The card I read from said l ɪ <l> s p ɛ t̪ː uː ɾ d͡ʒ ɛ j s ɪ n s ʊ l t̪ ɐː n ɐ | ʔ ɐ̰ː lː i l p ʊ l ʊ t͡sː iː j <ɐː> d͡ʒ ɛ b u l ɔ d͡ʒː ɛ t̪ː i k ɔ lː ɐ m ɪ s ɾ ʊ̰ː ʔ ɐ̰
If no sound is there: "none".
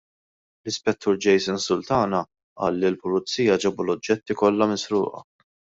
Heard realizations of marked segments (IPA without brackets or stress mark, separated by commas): none, ɐ